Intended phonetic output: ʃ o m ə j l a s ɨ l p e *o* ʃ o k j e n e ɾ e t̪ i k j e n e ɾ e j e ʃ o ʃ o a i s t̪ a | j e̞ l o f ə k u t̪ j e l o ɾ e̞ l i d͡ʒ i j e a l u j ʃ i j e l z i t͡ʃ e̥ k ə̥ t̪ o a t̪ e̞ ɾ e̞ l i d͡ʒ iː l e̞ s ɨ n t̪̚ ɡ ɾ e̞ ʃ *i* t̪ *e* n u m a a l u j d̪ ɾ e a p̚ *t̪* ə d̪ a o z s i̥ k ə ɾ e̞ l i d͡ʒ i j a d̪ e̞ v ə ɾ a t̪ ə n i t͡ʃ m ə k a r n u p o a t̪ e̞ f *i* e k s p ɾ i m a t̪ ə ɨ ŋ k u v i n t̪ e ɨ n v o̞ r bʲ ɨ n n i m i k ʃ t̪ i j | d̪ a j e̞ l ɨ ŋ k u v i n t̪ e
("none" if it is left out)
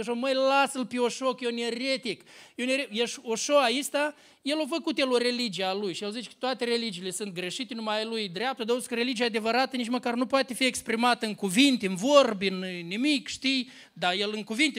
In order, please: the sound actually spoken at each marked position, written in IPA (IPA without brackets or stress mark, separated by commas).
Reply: o, i, e, t̪, i